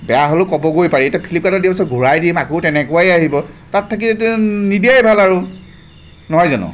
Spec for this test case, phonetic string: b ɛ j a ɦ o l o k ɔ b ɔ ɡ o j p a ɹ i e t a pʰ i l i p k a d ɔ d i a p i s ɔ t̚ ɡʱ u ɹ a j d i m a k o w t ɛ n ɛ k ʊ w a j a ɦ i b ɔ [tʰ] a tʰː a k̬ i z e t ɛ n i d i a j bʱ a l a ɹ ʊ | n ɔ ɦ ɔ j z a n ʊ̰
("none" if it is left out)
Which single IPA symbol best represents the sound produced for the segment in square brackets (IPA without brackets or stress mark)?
t